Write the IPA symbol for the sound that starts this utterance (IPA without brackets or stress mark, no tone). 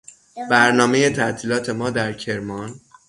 b